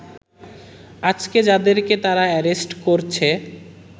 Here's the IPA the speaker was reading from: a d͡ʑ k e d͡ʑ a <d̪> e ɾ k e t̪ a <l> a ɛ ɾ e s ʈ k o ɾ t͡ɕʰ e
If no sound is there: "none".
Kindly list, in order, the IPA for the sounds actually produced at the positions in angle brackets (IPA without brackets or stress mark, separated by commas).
d̪, ɾ